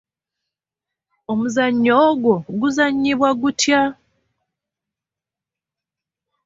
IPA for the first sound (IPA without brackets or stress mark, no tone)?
o